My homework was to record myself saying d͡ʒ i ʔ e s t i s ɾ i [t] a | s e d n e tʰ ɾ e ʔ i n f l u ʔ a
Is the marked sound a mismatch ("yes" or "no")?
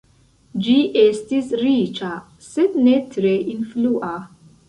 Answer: yes